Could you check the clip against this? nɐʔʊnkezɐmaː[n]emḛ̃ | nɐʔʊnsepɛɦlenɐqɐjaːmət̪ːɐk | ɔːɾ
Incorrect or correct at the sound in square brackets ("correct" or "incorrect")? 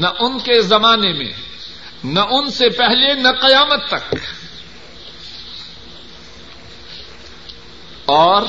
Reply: correct